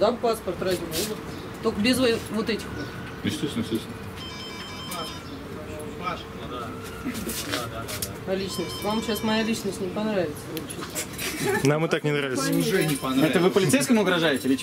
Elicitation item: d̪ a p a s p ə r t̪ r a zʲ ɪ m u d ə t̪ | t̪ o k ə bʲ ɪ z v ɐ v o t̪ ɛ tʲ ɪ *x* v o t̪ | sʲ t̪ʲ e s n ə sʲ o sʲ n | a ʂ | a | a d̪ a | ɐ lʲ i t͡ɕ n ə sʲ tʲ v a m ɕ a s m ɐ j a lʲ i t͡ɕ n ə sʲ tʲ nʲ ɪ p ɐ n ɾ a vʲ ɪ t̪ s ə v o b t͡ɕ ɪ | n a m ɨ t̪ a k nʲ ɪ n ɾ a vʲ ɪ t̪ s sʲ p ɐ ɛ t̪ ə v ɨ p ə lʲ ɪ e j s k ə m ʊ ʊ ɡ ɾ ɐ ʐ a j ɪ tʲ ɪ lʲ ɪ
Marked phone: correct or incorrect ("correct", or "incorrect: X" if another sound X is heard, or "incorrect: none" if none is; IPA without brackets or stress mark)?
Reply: correct